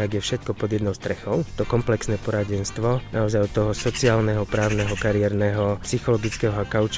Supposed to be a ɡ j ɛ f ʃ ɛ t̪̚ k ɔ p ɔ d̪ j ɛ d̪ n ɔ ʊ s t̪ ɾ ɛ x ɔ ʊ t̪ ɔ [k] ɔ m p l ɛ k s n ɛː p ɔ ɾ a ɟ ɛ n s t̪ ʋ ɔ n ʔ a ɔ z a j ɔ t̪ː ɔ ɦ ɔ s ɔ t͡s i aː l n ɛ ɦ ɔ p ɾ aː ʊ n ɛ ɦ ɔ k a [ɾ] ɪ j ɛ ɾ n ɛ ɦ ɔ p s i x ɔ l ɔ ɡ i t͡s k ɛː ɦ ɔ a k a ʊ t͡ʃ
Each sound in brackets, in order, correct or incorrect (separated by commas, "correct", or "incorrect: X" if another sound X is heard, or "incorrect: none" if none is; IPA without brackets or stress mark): correct, correct